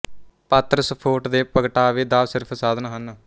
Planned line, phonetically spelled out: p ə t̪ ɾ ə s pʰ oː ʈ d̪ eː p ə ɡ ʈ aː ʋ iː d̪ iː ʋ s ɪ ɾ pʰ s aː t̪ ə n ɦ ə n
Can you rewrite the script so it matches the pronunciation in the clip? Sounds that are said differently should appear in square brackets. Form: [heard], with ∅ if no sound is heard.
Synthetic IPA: p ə t̪ ɾ ə s pʰ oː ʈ d̪ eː p ə ɡ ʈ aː ʋ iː d̪ [aː] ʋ s ɪ ɾ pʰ s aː [d̪] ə n ɦ ə n